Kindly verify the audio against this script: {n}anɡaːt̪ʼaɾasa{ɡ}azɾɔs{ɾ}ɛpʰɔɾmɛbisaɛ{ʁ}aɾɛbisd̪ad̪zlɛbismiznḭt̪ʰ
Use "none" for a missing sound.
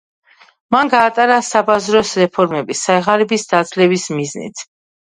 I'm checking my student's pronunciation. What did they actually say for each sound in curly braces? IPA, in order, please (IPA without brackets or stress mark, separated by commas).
m, b, ɾ, ʁ